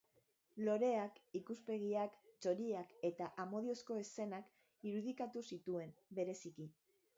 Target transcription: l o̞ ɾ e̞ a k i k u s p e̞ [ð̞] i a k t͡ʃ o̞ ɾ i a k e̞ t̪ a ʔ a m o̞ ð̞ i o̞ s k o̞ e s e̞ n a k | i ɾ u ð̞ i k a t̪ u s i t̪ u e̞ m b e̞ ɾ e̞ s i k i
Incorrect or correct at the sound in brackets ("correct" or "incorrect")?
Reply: incorrect